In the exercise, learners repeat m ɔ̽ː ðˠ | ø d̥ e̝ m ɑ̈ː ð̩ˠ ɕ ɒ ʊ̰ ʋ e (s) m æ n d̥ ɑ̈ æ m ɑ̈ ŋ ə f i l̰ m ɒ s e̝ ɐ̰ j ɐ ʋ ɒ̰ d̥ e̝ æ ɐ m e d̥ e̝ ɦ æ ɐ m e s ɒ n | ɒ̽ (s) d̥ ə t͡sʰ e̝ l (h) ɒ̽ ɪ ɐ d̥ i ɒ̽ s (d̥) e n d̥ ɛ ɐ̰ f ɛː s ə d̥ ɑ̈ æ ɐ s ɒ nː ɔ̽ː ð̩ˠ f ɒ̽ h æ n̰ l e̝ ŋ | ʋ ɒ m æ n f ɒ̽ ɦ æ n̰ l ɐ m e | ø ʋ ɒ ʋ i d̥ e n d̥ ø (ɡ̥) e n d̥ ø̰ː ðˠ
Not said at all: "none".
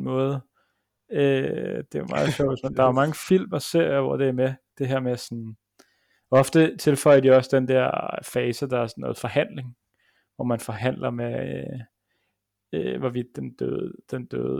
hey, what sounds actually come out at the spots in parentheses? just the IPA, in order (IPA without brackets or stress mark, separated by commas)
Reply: s, f, f, d̥, d̥